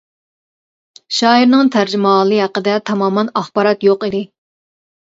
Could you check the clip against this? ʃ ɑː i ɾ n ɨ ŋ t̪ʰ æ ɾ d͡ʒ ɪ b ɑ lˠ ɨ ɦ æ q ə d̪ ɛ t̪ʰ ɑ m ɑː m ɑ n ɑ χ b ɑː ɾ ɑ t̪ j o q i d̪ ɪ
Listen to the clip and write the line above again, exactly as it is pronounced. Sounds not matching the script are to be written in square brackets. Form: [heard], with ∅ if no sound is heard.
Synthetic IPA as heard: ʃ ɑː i ɾ n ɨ ŋ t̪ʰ æ ɾ d͡ʒ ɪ [m] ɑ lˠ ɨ ɦ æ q ə d̪ ɛ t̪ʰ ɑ m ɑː m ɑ n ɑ χ b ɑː ɾ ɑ t̪ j o q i d̪ ɪ

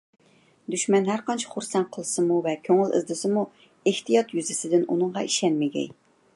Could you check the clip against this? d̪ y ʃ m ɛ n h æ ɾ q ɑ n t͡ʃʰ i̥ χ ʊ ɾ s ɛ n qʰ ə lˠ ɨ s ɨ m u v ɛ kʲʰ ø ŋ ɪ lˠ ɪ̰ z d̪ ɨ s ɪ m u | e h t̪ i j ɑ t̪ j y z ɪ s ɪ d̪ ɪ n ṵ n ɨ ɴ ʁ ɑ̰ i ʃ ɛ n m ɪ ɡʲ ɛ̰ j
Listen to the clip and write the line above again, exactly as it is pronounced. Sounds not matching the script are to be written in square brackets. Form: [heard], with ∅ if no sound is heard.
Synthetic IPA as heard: d̪ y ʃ m ɛ n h æ ɾ q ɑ n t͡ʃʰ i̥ χ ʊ ɾ s ɛ n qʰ ə lˠ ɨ s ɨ m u v ɛ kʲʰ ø ŋ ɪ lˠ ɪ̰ z d̪ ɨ s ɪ m u | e h t̪ i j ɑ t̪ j y z ɪ s ɪ d̪ ɪ n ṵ n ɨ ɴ ʁ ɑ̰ i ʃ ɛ n m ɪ ɡʲ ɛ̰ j

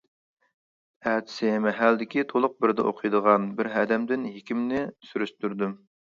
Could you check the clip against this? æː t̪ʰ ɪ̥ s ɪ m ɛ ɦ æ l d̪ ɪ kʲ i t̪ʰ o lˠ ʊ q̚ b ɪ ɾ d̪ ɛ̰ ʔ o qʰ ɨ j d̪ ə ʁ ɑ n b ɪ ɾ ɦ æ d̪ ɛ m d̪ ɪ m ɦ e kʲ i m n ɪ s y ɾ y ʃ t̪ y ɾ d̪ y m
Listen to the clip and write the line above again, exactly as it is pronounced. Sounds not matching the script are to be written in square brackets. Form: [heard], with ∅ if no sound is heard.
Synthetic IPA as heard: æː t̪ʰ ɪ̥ s ɪ m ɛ ɦ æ l d̪ ɪ kʲ i t̪ʰ o lˠ ʊ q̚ b ɪ ɾ d̪ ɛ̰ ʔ o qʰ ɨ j d̪ ə ʁ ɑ n b ɪ ɾ ɦ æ d̪ ɛ m d̪ ɪ [n] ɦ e kʲ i m n ɪ s y ɾ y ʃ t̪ y ɾ d̪ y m

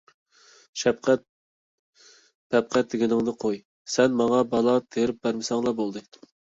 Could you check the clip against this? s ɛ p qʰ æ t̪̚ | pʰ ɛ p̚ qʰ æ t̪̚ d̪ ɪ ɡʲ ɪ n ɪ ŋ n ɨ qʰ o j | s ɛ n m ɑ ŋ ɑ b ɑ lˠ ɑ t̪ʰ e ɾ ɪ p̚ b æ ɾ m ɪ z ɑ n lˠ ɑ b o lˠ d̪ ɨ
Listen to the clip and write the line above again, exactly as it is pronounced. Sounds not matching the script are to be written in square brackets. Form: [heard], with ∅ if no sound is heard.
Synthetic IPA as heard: [ʃ] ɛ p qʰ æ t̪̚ | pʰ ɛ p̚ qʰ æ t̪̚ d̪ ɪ ɡʲ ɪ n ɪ ŋ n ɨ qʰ o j | s ɛ n m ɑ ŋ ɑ b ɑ lˠ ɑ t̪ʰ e ɾ ɪ p̚ b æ ɾ m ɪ [s] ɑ [ŋ] lˠ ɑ b o lˠ d̪ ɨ

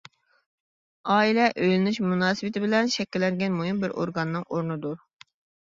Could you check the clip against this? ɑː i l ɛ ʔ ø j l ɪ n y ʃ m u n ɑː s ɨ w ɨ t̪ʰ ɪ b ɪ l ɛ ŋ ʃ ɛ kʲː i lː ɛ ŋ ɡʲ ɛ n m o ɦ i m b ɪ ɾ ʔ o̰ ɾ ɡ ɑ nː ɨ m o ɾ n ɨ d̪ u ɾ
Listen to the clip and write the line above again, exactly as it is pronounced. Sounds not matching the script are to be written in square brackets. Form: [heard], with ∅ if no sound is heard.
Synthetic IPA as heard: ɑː i l ɛ ʔ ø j l ɪ n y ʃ m u n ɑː s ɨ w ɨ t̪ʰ ɪ b ɪ l ɛ [n] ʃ ɛ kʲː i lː ɛ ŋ ɡʲ ɛ n m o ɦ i m b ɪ ɾ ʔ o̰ ɾ ɡ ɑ nː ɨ [ŋ] o ɾ n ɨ d̪ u ɾ

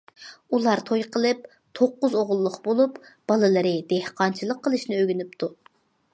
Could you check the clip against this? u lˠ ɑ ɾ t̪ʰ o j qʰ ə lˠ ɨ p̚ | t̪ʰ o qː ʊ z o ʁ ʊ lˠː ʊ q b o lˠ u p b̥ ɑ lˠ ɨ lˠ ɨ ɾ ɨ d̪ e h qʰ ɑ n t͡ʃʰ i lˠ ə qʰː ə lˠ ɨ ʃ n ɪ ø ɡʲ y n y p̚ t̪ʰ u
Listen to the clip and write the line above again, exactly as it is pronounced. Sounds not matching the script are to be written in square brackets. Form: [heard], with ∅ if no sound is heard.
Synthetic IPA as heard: u lˠ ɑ ɾ t̪ʰ o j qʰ ə lˠ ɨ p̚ | t̪ʰ o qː ʊ z o ʁ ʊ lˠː ʊ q b o lˠ u p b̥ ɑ lˠ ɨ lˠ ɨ ɾ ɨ d̪ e h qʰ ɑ n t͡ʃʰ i lˠ ə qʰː ə lˠ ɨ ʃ n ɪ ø ɡʲ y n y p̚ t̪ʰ u

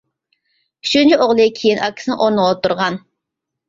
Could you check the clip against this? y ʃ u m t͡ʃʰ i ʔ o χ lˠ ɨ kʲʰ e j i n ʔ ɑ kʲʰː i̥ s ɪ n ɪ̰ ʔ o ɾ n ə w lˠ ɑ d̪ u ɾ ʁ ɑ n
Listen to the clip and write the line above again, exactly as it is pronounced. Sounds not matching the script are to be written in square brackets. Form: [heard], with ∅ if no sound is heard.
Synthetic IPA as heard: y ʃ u [n] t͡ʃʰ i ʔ o [ʁ] lˠ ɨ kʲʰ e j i n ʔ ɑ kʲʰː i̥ s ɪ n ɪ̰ ʔ o ɾ n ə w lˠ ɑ [t̪] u ɾ ʁ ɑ n

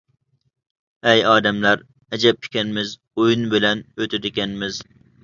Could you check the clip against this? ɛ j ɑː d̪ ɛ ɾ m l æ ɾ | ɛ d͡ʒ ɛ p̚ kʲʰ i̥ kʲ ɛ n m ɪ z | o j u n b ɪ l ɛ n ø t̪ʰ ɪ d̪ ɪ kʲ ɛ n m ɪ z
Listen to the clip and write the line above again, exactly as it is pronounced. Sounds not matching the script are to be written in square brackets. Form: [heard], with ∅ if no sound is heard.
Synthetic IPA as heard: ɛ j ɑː d̪ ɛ [∅] m l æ ɾ | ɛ d͡ʒ ɛ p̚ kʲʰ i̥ kʲ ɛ n m ɪ z | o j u n b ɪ l ɛ n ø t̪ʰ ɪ d̪ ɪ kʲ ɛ n m ɪ z

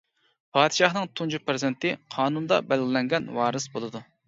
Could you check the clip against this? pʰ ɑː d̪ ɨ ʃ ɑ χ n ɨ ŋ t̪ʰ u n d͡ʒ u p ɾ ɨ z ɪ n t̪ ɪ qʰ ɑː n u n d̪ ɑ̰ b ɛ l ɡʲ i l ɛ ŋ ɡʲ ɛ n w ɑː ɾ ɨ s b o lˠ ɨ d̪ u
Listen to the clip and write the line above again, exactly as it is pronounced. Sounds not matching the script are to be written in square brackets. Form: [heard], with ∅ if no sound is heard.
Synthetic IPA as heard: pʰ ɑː d̪ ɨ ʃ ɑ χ n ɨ ŋ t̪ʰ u n d͡ʒ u p ɾ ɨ z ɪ n t̪ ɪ qʰ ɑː n u n d̪ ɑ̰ b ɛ l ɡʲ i l ɛ ŋ ɡʲ ɛ n w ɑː ɾ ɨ s b o lˠ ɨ d̪ u

